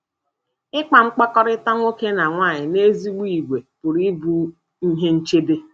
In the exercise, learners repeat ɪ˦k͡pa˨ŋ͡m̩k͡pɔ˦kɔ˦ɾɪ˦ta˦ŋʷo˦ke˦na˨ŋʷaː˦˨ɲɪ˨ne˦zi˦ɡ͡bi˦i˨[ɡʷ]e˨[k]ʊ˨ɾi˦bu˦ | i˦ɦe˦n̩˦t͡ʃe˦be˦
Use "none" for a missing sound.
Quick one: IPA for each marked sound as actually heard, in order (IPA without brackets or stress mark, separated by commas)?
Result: ɡʷ, p